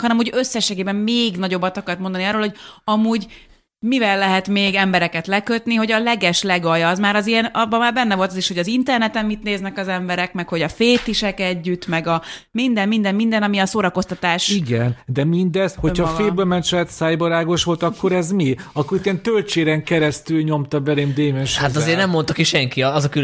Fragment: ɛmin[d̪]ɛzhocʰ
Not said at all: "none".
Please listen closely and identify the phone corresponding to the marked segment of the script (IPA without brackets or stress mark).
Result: d̪